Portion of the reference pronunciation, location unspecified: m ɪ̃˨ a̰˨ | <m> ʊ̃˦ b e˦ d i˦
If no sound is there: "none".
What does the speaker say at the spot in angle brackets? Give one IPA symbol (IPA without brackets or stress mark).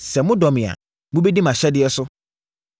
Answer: m